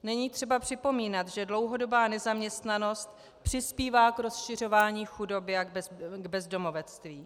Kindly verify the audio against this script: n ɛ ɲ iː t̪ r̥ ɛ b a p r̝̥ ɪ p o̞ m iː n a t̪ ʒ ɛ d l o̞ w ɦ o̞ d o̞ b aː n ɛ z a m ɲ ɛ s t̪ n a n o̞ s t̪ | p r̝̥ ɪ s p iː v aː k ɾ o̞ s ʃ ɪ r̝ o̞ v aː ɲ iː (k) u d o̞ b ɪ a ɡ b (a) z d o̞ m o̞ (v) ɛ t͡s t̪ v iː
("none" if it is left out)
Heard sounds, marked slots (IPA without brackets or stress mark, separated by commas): x, ɛ, v